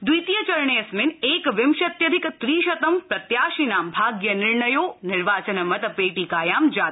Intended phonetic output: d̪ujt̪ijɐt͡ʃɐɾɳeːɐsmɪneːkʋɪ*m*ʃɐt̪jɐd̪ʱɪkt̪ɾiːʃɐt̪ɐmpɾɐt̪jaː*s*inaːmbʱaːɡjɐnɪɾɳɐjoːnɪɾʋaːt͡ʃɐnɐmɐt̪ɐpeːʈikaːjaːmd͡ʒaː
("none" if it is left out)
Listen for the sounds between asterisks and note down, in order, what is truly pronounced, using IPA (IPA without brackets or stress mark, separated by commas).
m, ʃ